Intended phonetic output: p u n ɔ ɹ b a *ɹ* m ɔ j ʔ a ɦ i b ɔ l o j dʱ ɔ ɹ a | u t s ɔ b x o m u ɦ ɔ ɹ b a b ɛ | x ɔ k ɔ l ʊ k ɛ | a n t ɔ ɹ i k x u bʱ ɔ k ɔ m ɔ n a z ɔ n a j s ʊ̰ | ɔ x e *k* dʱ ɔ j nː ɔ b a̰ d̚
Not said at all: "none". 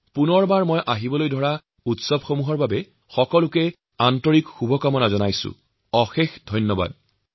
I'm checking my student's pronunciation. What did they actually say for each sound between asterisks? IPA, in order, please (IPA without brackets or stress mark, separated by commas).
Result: ɹ, x